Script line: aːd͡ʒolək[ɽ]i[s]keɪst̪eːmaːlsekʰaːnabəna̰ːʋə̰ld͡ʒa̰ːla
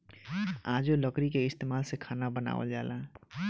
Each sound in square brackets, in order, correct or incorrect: incorrect, incorrect

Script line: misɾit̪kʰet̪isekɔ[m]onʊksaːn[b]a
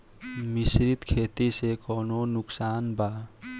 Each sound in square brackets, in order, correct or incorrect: incorrect, correct

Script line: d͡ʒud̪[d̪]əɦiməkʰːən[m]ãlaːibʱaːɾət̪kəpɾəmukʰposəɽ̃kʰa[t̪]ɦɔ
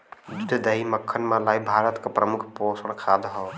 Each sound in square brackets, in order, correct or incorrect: correct, correct, incorrect

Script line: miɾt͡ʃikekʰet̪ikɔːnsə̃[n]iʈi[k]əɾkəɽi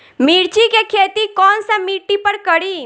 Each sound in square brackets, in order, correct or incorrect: incorrect, incorrect

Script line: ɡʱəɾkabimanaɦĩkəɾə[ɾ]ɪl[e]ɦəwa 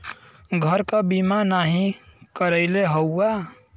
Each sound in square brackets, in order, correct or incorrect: incorrect, correct

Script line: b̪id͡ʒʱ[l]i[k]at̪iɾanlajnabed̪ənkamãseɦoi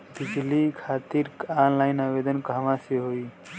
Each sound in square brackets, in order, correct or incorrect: correct, incorrect

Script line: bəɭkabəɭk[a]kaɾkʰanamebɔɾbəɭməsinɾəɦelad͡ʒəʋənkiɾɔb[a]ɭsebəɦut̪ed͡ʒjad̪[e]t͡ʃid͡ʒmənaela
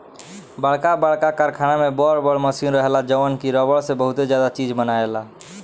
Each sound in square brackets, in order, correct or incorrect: correct, incorrect, incorrect

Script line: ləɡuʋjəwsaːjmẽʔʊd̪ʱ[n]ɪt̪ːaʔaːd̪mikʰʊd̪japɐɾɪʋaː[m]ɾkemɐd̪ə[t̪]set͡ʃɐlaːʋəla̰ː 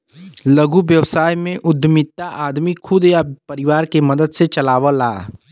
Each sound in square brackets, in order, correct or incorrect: incorrect, incorrect, incorrect

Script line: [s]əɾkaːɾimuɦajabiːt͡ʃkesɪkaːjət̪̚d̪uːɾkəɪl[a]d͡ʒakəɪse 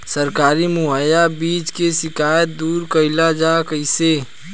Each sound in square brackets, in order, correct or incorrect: correct, correct

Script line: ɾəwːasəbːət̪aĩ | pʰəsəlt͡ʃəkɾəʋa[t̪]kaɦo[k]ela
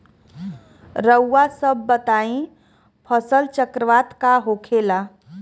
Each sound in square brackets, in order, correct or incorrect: correct, incorrect

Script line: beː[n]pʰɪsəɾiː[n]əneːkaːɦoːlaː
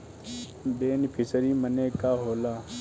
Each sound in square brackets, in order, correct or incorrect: correct, incorrect

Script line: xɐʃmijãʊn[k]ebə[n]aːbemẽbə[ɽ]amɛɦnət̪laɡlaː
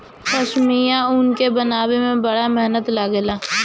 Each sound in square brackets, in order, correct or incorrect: correct, correct, correct

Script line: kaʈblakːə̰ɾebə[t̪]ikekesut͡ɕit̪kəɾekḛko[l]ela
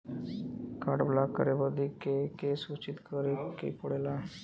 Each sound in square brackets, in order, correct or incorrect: incorrect, incorrect

